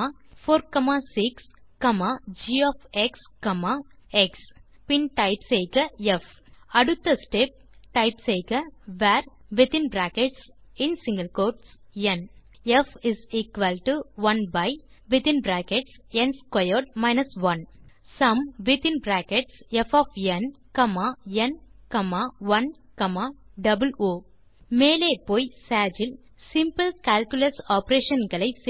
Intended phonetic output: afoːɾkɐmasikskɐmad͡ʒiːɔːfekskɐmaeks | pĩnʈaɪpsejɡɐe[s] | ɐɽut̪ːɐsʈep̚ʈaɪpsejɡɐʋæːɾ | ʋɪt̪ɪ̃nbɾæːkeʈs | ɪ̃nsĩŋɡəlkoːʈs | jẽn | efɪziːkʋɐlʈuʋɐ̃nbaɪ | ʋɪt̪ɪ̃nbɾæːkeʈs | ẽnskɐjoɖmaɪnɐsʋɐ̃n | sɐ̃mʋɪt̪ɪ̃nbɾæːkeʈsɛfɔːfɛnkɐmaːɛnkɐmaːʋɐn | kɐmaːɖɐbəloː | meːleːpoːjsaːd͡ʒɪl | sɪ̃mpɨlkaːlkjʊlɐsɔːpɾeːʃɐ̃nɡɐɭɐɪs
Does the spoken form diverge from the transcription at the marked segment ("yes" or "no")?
yes